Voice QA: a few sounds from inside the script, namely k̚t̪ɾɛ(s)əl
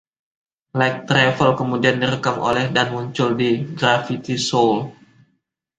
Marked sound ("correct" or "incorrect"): incorrect